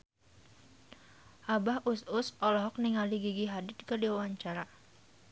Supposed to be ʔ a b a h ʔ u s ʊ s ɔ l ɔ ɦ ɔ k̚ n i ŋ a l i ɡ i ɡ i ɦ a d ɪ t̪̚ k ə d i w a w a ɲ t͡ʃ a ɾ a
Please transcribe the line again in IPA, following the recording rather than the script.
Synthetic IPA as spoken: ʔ a b a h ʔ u s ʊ s ɔ l ɔ ɦ ɔ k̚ n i ŋ a l i ɡ i ɡ i ɦ a d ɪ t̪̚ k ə d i w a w a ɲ t͡ʃ a ɾ a

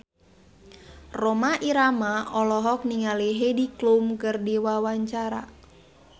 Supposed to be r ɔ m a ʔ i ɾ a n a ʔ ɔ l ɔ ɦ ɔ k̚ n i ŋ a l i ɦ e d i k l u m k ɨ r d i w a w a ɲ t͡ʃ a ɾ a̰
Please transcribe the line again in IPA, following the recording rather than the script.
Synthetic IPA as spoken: r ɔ m a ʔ i ɾ a m a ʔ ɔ l ɔ ɦ ɔ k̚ n i ŋ a l i ɦ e d i k l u m k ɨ r d i w a w a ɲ t͡ʃ a ɾ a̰

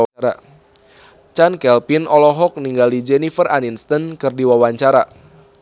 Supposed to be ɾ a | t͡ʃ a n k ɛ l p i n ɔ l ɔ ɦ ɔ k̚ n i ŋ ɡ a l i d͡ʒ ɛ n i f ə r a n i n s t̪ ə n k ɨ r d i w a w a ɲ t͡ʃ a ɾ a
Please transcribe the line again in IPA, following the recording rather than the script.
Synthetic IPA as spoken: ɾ a | t͡ʃ a n k ɛ l p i n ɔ l ɔ ɦ ɔ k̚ n i ŋ ɡ a l i d͡ʒ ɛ n i f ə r a n i n s t̪ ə n k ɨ r d i w a w a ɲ t͡ʃ a ɾ a

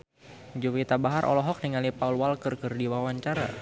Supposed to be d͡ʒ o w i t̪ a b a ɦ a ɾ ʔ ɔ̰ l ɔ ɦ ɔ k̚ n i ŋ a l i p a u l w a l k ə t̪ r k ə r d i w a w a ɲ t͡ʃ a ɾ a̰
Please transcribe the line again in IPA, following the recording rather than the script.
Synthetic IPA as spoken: d͡ʒ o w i t̪ a b a ɦ a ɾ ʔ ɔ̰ l ɔ ɦ ɔ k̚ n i ŋ a l i p a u l w a l k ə r k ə r d i w a w a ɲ t͡ʃ a ɾ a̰

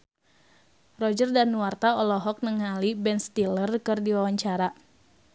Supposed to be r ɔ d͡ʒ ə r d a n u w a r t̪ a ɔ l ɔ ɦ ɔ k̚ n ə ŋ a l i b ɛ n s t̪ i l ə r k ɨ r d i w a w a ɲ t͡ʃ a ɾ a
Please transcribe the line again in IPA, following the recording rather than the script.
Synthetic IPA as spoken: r ɔ d͡ʒ ə r d a n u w a r t̪ a ɔ l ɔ ɦ ɔ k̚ n ə ŋ a l i b ɛ n s t̪ i l ə r k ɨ r d i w a w a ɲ t͡ʃ a ɾ a

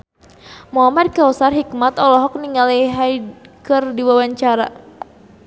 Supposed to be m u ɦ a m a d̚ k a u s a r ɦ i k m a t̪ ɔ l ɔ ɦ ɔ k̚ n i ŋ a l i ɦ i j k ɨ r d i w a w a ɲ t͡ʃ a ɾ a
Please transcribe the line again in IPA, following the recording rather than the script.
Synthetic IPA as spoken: m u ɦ a m a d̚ k a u s a r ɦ i k m a t̪ ɔ l ɔ ɦ ɔ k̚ n i ŋ a l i ɦ a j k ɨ r d i w a w a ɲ t͡ʃ a ɾ a

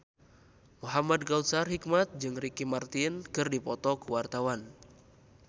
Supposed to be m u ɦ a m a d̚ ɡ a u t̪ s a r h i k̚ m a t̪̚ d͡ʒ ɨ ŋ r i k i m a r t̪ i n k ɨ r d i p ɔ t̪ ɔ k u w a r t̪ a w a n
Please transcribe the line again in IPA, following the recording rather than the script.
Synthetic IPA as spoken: m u ɦ a m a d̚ ɡ a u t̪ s a r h i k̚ m a t̪̚ d͡ʒ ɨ ŋ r i k i m a r t̪ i n k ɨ r d i p ɔ t̪ ɔ k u w a r t̪ a w a n

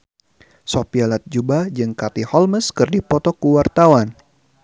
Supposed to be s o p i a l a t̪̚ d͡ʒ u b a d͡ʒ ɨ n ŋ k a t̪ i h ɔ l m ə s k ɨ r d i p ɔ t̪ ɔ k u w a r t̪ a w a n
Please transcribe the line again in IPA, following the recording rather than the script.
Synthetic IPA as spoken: s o p i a l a t̪̚ d͡ʒ u b a d͡ʒ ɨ ŋ k a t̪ i h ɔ l m ə s k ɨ r d i p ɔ t̪ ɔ k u w a r t̪ a w a n

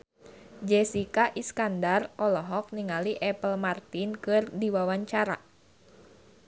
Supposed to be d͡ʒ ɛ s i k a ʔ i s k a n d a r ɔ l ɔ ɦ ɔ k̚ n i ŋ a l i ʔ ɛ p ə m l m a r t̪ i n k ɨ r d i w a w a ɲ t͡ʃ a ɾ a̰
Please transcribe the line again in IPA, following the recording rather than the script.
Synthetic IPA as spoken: d͡ʒ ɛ s i k a ʔ i s k a n d a r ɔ l ɔ ɦ ɔ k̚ n i ŋ a l i ʔ ɛ p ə l m a r t̪ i n k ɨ r d i w a w a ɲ t͡ʃ a ɾ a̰

